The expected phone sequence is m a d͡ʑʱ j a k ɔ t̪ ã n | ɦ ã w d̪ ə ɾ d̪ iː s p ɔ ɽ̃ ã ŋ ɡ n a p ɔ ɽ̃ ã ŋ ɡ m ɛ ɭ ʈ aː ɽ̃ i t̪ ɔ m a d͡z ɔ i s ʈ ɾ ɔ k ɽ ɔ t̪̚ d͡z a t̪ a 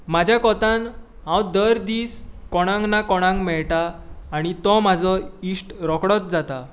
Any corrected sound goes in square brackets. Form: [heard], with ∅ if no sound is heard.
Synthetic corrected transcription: m a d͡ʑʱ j a k ɔ t̪ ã n | ɦ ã w d̪ ə ɾ d̪ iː s [k] ɔ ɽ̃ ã ŋ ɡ n a [k] ɔ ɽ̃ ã ŋ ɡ m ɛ ɭ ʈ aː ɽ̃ i t̪ ɔ m a d͡z ɔ i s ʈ ɾ ɔ k ɽ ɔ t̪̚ d͡z a t̪ a